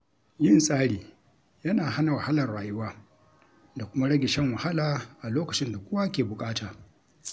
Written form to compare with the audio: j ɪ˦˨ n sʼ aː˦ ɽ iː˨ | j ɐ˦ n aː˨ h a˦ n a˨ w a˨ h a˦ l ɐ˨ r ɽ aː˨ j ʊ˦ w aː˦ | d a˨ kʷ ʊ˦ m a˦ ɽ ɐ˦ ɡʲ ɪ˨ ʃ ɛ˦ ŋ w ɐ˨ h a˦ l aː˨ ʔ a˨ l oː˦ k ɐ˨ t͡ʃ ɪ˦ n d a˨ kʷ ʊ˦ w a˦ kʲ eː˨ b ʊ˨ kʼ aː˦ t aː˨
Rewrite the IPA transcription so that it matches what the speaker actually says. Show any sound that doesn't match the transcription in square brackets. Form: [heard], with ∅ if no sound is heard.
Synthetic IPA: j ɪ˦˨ n sʼ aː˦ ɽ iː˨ | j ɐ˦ n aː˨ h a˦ n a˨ w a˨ h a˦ l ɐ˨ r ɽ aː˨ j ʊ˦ w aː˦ | d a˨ kʷ ʊ˦ m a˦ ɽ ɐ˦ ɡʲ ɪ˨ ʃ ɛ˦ ŋ w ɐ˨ h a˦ l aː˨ ʔ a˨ l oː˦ k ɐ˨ t͡ʃ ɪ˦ n d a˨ kʷ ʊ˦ w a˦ kʲ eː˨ b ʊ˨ kʼ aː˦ t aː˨